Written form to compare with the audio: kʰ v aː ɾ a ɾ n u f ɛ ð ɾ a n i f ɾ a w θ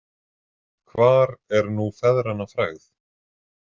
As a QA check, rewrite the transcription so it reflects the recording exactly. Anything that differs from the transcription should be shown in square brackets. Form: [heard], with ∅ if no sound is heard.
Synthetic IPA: kʰ v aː ɾ [ɛ] ɾ n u f ɛ ð ɾ a n [a] f ɾ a [ɣ] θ